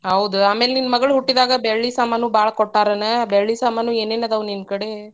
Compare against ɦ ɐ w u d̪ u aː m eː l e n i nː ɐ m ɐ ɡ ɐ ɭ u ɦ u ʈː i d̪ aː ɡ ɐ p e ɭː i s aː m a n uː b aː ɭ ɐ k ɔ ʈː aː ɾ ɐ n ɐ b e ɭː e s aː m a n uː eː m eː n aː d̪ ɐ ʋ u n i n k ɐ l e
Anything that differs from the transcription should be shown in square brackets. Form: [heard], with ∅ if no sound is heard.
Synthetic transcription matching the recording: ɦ ɐ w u d̪ u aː m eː l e n i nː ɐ m ɐ ɡ ɐ ɭ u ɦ u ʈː i d̪ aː ɡ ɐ [b] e ɭː i s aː m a n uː b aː ɭ ɐ k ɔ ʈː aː ɾ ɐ n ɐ b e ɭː [i] s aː m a n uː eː [n] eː n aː d̪ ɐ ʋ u n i n k ɐ [ɽ] e